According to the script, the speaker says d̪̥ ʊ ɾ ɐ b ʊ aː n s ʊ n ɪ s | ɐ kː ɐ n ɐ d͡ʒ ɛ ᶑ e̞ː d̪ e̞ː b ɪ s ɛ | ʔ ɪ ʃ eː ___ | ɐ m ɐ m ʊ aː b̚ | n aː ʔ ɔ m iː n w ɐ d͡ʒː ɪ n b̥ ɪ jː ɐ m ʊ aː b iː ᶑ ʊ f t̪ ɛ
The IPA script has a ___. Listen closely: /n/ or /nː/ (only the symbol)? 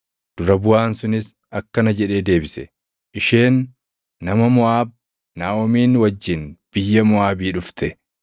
nː